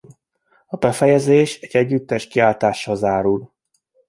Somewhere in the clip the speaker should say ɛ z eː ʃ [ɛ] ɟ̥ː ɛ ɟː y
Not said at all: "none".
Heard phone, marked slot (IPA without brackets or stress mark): ɛ